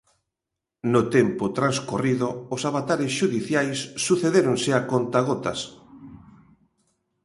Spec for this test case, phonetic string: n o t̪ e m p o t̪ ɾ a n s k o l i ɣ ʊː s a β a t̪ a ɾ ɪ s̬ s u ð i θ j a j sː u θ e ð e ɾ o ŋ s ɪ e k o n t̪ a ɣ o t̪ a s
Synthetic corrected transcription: n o t̪ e m p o t̪ ɾ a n s k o r i ð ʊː s a β a t̪ a ɾ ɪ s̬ ʃ u ð i θ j a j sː u θ e ð e ɾ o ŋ s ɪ a k o n t̪ a ɣ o t̪ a s